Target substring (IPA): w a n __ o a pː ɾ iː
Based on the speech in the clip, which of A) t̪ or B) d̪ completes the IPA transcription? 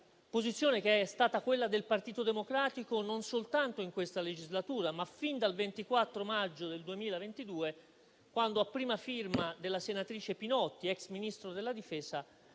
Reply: B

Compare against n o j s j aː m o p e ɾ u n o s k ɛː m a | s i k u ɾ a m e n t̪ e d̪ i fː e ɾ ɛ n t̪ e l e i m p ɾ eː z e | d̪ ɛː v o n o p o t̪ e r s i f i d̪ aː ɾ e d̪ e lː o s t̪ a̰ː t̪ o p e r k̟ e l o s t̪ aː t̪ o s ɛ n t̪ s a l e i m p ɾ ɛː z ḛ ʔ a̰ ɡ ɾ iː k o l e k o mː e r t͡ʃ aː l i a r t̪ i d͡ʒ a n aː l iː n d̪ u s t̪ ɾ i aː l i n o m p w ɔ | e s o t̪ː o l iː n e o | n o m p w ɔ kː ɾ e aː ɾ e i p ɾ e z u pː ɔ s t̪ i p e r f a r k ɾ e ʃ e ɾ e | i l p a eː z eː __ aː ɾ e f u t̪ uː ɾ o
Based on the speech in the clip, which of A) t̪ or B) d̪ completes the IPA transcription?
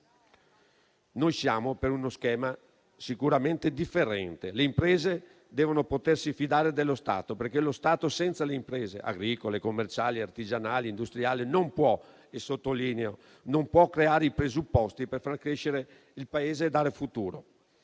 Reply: B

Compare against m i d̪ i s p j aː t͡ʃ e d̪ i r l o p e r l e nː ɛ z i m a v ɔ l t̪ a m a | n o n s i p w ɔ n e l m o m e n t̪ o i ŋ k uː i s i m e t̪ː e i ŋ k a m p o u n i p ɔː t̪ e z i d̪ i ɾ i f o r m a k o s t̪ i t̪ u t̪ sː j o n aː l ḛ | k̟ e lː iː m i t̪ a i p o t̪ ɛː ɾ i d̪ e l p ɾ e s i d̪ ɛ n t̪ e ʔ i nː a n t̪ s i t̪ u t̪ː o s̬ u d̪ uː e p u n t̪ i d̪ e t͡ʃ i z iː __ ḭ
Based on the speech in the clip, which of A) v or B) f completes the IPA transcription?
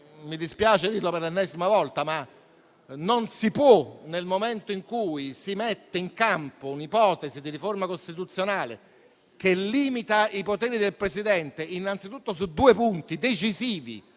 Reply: A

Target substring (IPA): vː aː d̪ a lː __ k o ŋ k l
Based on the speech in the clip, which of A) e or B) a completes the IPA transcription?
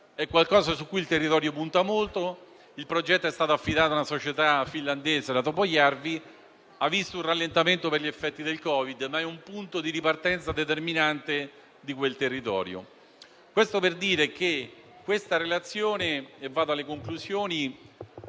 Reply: A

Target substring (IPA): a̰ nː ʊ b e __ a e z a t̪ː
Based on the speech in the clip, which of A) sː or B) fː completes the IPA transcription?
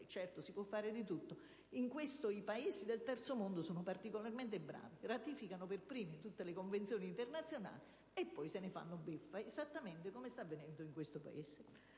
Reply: B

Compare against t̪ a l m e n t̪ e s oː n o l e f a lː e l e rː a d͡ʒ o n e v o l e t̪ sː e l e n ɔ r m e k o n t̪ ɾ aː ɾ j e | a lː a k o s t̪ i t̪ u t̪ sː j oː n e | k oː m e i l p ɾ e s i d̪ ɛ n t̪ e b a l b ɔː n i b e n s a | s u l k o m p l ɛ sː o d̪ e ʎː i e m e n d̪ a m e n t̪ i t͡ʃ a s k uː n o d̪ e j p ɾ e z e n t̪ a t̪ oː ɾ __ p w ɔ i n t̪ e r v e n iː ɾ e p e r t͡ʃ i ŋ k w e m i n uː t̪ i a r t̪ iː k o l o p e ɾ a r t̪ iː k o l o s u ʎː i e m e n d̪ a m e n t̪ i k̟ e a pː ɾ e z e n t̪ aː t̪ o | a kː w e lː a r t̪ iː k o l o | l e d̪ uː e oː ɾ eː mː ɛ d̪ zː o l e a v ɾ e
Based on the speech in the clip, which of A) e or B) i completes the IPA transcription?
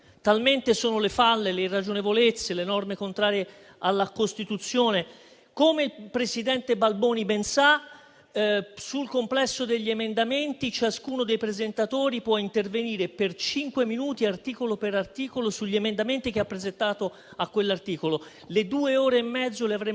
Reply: B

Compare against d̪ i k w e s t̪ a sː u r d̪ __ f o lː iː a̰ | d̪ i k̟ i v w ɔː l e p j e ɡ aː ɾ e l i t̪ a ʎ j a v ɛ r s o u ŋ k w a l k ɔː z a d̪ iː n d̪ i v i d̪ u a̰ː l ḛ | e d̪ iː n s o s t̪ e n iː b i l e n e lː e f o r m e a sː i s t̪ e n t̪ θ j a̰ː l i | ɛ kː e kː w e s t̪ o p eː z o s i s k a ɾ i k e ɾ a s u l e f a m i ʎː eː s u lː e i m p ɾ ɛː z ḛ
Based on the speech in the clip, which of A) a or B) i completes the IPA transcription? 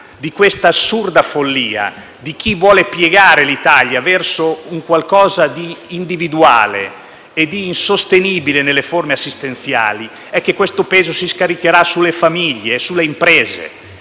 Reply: A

